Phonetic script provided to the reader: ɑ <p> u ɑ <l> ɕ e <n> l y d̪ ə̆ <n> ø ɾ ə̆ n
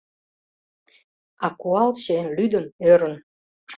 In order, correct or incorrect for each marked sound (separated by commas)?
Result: incorrect, correct, correct, correct